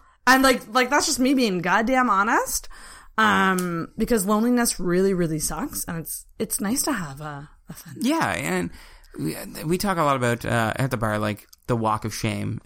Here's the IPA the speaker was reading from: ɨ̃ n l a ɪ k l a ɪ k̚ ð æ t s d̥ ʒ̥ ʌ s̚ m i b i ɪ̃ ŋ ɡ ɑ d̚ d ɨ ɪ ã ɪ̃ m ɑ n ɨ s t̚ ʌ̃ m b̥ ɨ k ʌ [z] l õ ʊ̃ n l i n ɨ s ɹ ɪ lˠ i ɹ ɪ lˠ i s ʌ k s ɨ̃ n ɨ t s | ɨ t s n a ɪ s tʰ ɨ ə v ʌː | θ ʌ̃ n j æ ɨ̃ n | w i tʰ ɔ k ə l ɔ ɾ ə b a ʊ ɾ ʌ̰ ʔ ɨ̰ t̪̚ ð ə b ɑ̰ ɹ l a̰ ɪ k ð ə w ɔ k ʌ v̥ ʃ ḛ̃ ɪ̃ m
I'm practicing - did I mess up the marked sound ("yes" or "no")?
no